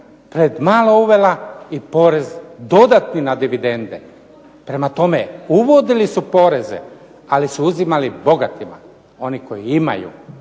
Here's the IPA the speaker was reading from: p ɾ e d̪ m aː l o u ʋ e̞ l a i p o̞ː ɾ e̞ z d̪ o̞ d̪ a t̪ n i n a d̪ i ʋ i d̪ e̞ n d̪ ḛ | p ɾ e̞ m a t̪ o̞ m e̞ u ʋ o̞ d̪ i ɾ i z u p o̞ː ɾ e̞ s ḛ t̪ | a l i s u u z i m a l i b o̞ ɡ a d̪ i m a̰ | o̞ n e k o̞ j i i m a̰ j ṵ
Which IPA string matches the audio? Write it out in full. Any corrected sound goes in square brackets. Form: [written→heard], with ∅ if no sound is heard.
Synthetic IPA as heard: p ɾ e d̪ m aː l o u ʋ e̞ l a i p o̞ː ɾ e̞ z d̪ o̞ d̪ a t̪ n i n a d̪ i ʋ i d̪ e̞ n d̪ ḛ | p ɾ e̞ m a t̪ o̞ m e̞ u ʋ o̞ d̪ i [ɾ→l] i [z→s] u p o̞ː ɾ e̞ [s→z] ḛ [t̪→∅] | a l i s u u z i m a l i b o̞ ɡ a [d̪→t̪] i m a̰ | o̞ n [e→i] k o̞ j i i m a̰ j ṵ